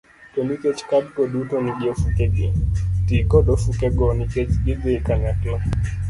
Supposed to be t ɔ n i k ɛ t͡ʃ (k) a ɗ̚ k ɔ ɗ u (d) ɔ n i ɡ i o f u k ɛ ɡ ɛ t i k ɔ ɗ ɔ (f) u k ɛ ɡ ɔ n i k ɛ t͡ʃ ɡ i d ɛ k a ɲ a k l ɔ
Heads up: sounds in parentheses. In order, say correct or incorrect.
correct, incorrect: t, correct

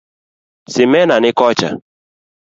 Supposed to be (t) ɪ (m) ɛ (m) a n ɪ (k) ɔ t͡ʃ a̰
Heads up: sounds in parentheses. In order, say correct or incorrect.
incorrect: s, correct, incorrect: n, correct

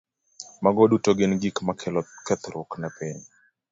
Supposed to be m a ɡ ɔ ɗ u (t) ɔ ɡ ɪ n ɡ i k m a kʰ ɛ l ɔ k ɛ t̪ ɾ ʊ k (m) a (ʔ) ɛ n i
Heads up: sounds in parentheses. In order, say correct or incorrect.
correct, incorrect: n, incorrect: p

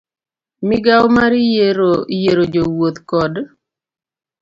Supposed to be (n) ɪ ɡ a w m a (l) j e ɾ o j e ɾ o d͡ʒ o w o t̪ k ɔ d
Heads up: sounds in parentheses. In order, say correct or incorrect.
incorrect: m, incorrect: ɾ

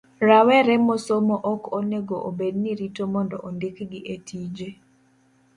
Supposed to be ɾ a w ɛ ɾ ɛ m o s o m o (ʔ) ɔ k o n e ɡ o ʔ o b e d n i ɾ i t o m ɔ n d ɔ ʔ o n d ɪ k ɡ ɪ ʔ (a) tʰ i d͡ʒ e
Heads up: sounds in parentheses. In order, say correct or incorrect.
correct, incorrect: e

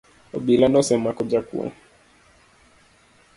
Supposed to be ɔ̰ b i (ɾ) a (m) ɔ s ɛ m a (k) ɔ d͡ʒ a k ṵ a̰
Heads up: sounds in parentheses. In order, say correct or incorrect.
incorrect: l, incorrect: n, correct

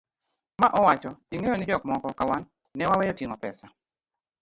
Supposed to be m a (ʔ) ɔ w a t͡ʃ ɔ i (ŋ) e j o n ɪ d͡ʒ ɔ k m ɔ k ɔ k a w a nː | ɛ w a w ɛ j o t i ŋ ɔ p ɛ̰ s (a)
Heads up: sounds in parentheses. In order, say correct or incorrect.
correct, correct, correct

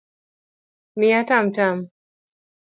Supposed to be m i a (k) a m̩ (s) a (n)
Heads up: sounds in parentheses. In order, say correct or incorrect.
incorrect: t, incorrect: t, incorrect: m

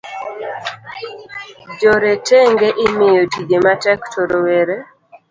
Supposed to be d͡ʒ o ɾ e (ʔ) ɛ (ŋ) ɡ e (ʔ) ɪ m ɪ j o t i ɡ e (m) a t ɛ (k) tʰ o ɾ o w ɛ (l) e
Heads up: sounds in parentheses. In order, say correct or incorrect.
incorrect: t, correct, correct, correct, correct, incorrect: ɾ

